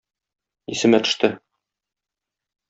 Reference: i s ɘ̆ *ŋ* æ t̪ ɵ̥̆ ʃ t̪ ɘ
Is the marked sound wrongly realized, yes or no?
yes